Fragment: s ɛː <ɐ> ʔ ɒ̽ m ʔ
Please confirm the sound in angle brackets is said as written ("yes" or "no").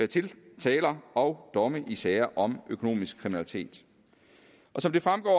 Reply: yes